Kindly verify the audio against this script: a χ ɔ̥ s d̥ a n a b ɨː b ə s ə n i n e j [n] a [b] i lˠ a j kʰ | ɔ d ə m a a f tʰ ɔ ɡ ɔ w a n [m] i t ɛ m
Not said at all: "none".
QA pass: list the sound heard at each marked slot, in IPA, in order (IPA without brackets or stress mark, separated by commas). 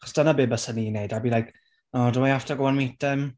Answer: d, b, m